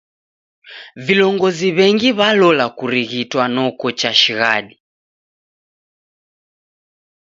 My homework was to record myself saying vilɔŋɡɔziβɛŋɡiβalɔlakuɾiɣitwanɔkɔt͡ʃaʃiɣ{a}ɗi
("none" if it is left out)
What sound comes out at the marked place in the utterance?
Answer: a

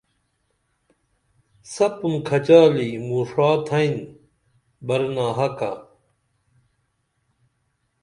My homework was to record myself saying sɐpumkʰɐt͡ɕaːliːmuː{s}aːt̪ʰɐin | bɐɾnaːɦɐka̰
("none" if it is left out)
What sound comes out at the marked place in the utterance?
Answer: ʂ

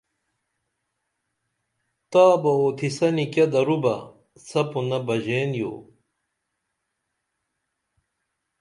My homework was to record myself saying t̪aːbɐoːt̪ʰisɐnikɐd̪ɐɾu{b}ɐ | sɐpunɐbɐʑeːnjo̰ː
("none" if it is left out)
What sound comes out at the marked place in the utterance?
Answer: b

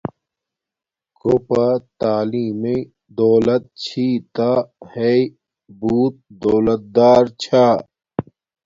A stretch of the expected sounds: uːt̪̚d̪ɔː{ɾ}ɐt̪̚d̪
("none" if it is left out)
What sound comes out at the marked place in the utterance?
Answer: l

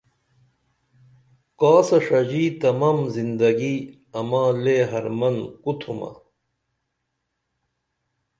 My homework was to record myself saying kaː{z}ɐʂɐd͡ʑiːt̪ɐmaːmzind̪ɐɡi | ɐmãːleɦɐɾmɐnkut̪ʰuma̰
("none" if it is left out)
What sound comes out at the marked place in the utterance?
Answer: s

